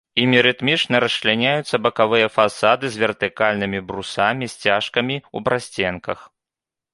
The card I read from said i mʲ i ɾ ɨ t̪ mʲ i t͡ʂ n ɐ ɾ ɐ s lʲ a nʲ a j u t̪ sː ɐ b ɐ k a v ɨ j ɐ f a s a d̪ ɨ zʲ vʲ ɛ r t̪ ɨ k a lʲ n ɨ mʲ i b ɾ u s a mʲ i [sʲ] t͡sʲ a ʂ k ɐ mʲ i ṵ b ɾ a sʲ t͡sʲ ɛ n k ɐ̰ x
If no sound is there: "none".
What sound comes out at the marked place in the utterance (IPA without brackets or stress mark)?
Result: sʲ